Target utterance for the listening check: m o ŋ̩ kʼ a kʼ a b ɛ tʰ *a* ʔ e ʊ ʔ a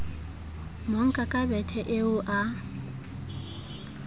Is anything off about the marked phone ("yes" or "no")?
yes